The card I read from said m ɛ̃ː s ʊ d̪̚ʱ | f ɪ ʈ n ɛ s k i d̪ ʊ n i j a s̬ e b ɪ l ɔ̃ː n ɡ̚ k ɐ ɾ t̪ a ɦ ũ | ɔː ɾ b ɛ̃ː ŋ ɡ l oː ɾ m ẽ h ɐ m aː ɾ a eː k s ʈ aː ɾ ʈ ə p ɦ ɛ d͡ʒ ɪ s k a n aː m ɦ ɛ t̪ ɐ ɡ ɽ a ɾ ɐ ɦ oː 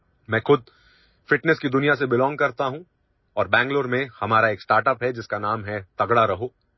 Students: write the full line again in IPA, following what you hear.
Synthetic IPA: m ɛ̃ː x ʊ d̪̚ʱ | f ɪ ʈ n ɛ s k i d̪ ʊ n i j a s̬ e b ɪ l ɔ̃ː ŋ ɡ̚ k ɐ ɾ t̪ a ɦ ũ | ɔː ɾ b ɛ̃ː ŋ ɡ l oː ɾ m ẽ h ɐ m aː ɾ a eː k s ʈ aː ɾ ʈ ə p ɦ ɛ d͡ʒ ɪ s k a n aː m ɦ ɛ t̪ ɐ ɡ ɽ a ɾ ɐ ɦ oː